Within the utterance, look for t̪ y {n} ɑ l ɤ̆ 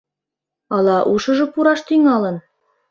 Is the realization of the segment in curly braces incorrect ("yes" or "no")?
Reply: yes